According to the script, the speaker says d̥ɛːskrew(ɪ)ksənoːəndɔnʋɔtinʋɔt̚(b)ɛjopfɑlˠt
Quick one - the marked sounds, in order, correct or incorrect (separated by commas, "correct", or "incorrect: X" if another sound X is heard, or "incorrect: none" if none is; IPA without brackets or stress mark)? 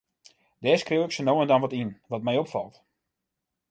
correct, incorrect: m